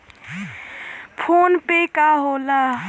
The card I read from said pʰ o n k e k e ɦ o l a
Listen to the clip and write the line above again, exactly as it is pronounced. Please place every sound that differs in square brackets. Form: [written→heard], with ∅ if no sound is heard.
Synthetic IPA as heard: pʰ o n [k→p] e k [e→a] ɦ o l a